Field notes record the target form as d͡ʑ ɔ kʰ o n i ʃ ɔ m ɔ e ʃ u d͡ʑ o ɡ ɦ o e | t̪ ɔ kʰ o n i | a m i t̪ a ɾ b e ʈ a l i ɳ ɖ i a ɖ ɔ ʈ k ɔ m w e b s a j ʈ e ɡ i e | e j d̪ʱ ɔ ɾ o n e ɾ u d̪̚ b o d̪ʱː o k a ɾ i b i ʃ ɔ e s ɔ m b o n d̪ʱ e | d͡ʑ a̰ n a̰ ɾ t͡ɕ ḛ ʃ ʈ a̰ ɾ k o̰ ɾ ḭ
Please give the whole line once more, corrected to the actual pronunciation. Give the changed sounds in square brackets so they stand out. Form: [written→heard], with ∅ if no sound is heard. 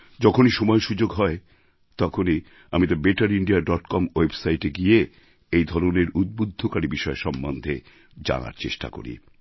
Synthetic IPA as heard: d͡ʑ ɔ kʰ o n i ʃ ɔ m ɔ e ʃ u d͡ʑ o ɡ ɦ [o→ɔ] e | t̪ ɔ kʰ o n i | a m i t̪ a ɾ b e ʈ a [l→ɾ] i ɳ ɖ i a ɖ ɔ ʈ k ɔ m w e b s a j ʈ e ɡ i e | e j d̪ʱ ɔ ɾ o n e ɾ u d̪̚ b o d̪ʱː o k a ɾ i b i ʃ ɔ e [s→ʃ] ɔ m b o n d̪ʱ e | d͡ʑ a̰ n a̰ ɾ t͡ɕ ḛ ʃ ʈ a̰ [ɾ→∅] k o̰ ɾ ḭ